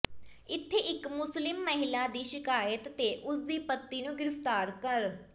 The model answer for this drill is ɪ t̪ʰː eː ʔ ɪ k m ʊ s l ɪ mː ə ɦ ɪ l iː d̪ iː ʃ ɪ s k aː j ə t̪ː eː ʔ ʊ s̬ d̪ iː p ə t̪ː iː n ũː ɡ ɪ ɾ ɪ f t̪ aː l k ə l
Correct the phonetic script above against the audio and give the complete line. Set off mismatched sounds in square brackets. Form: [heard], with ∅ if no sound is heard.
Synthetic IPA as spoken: ɪ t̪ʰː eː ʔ ɪ k m ʊ s l ɪ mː ə ɦ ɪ l [aː] d̪ iː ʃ ɪ [∅] k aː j ə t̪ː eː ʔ ʊ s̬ d̪ iː p ə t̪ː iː n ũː ɡ ɪ ɾ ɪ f t̪ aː [ɾ] k ə [ɾ]